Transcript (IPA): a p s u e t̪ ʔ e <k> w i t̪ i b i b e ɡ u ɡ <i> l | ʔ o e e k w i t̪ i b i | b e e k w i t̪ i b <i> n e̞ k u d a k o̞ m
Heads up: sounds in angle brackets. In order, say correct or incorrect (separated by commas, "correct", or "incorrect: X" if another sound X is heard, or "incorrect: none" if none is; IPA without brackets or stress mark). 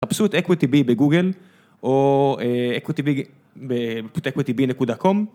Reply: correct, incorrect: e, correct